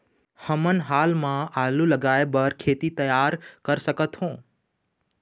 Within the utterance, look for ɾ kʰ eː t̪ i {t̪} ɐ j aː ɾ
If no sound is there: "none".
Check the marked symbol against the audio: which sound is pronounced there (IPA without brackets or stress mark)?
t̪